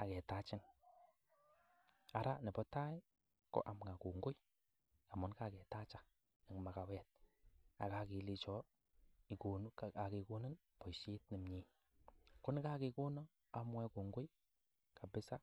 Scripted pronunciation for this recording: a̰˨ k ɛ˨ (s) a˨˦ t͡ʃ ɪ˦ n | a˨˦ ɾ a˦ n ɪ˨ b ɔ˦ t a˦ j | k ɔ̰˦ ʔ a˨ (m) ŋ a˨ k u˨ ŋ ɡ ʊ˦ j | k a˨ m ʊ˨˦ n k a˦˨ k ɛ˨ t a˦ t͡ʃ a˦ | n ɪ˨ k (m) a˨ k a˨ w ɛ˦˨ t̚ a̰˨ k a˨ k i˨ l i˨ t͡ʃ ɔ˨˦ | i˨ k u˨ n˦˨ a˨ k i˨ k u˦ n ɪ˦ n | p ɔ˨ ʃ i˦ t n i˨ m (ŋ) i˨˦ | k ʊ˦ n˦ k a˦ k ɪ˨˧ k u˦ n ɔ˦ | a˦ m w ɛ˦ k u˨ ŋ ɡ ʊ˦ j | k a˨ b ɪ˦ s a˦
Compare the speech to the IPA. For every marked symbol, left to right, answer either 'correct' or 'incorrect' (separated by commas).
incorrect, correct, correct, incorrect